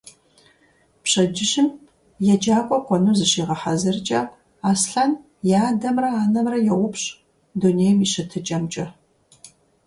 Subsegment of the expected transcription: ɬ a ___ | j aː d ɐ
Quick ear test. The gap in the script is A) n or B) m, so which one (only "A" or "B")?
A